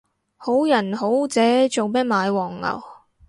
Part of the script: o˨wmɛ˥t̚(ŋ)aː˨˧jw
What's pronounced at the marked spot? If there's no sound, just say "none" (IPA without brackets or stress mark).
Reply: m